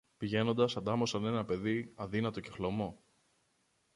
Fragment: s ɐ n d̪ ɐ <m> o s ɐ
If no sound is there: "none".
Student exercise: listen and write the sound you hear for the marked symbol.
m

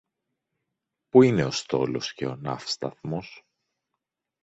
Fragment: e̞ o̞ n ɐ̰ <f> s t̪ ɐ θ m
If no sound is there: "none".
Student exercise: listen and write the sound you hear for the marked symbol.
f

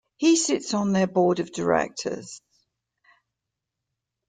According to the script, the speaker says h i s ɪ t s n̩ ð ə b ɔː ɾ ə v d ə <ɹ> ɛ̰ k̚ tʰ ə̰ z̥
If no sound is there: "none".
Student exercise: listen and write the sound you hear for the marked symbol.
ɹ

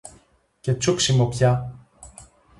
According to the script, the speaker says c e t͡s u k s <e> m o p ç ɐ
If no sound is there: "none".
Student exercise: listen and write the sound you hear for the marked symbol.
i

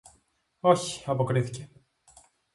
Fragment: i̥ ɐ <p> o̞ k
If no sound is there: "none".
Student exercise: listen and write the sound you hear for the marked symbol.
p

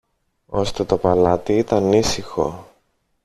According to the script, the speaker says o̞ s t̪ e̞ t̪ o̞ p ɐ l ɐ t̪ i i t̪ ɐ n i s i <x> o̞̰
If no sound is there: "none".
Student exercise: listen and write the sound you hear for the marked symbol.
x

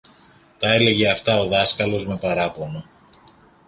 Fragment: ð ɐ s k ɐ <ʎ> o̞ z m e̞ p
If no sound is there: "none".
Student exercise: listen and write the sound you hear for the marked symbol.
l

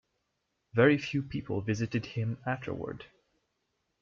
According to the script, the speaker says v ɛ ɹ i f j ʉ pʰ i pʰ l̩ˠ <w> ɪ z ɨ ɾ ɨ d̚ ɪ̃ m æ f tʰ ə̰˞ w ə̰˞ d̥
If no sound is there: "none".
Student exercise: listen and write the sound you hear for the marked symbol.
v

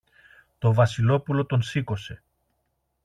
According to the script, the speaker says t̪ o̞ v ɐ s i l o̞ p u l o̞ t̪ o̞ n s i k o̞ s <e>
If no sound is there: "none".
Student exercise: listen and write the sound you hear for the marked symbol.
e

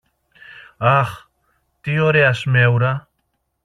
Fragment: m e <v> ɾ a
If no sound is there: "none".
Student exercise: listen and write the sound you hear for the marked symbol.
w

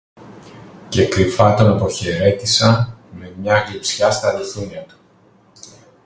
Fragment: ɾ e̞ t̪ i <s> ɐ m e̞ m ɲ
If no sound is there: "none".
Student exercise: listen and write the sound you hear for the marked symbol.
s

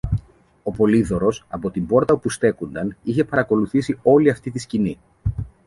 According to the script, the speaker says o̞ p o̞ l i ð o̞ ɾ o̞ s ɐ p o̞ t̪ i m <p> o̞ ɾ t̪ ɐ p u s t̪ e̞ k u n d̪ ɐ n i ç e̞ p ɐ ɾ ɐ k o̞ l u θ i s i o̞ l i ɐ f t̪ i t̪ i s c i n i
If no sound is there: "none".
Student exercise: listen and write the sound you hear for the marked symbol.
b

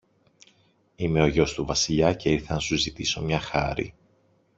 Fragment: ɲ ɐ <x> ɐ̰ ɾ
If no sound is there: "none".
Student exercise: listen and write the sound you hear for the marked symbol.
x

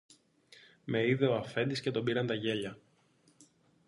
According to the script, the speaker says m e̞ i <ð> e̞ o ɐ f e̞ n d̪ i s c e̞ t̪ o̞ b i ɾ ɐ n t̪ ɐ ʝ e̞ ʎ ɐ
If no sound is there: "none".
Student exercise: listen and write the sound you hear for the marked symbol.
ð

